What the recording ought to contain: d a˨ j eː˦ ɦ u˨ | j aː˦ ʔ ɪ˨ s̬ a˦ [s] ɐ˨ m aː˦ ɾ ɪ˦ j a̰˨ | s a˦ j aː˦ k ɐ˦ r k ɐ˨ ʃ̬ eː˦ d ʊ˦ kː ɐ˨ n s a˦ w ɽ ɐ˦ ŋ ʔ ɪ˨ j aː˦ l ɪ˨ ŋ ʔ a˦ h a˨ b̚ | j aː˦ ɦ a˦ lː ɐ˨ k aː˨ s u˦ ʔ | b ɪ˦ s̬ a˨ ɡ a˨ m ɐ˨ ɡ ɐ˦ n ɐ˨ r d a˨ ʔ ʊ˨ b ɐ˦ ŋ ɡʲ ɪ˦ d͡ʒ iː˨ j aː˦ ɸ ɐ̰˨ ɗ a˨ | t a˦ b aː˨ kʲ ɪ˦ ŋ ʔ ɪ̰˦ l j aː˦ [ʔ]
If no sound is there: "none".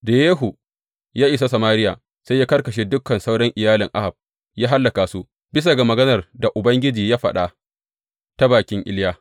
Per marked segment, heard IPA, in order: s, none

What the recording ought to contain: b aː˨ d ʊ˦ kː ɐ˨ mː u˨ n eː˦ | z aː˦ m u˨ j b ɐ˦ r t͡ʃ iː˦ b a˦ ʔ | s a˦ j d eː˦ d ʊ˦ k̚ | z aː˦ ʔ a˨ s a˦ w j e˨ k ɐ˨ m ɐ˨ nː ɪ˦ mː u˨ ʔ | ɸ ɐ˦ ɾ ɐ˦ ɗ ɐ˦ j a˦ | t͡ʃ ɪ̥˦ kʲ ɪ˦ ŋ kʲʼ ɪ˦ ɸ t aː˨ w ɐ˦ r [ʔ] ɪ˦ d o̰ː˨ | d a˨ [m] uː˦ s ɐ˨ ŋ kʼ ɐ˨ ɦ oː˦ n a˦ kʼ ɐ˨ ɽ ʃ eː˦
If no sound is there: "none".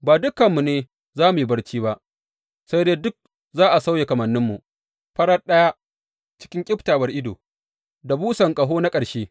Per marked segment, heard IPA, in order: ʔ, b

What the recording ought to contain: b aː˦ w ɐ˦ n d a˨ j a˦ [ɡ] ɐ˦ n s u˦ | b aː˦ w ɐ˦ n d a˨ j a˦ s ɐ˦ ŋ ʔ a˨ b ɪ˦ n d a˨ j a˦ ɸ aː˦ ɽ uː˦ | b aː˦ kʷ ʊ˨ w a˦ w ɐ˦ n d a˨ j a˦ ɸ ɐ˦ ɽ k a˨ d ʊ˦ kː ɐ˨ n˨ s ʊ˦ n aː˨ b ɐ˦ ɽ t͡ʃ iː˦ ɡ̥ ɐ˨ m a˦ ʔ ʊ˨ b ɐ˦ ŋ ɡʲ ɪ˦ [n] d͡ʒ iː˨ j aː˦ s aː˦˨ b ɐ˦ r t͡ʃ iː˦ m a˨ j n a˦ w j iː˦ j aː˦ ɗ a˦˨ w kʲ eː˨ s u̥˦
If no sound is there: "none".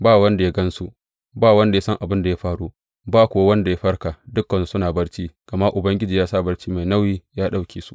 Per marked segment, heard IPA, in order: ɡ, none

